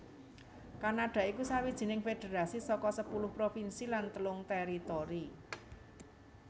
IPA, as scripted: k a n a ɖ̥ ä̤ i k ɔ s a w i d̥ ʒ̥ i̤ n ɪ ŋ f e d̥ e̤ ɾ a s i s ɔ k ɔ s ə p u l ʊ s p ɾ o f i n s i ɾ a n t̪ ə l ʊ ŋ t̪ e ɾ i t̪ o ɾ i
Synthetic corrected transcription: k a n a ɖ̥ ä̤ i k u s a w i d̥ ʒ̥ i̤ n ɪ ŋ f e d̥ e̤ ɾ a s i s ɔ k ɔ s ə p u l ʊ h p ɾ o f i n s i l a n t̪ ə l ʊ ŋ t̪ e ɾ i t̪ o ɾ i